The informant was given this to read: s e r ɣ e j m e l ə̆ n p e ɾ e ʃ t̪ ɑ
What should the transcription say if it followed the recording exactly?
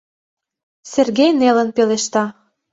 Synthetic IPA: s e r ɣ e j n e l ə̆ n p e l e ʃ t̪ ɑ